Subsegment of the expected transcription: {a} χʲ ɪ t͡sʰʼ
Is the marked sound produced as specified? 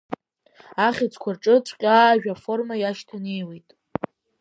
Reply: yes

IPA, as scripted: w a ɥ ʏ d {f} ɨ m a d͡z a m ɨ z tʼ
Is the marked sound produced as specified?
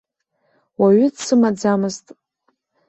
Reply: no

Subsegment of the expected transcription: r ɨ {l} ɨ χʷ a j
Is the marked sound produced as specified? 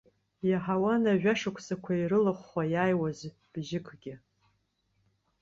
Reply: yes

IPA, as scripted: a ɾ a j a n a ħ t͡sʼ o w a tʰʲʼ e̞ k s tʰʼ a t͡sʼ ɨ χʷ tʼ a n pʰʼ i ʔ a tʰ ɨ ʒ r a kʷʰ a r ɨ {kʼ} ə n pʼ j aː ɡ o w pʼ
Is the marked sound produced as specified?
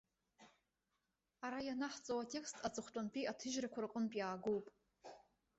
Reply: no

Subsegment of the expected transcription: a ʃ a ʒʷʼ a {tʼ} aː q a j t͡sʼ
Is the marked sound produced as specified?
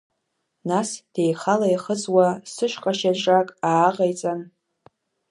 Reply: no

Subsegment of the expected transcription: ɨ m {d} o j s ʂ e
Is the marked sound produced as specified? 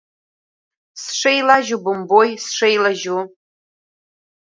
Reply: no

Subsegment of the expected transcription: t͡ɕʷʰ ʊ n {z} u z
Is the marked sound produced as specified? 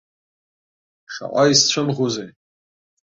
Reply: no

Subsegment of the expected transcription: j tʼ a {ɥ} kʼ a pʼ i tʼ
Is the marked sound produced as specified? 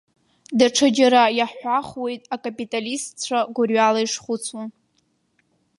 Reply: no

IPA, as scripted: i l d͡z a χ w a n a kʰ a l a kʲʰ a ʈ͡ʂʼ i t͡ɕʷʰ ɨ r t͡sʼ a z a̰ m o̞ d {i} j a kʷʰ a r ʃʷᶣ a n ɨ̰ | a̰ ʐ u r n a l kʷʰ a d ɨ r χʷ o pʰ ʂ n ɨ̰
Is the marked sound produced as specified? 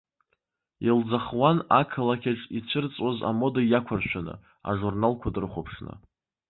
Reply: no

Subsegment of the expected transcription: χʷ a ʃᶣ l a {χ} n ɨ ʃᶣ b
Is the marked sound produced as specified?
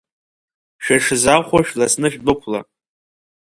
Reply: no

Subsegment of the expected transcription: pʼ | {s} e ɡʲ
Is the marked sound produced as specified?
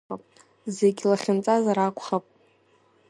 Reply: no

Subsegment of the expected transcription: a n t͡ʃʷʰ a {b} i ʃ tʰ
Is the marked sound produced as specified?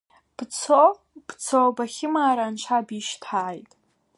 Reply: yes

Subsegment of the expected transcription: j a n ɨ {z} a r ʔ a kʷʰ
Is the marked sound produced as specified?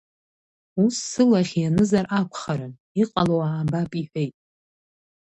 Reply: yes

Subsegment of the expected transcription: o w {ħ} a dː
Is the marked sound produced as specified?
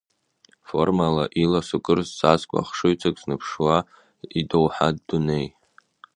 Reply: yes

